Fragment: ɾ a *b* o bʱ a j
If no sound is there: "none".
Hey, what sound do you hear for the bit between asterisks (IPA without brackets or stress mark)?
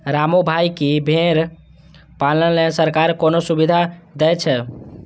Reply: m